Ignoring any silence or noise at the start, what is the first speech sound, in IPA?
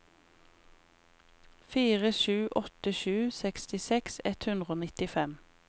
f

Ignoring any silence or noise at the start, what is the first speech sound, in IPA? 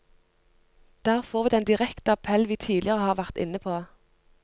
d̪̥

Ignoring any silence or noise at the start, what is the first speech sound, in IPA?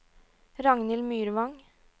ɾ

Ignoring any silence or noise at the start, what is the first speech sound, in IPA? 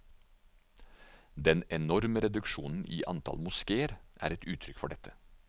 d̪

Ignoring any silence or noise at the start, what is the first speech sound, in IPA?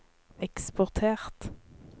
ɛ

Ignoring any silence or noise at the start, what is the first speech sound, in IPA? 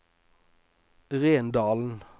ʁ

